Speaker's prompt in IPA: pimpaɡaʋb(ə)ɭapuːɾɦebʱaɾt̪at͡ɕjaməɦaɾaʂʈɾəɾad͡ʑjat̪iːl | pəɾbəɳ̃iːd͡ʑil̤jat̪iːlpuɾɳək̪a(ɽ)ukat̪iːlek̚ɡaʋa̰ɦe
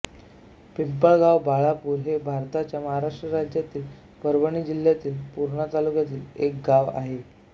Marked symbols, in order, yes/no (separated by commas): no, no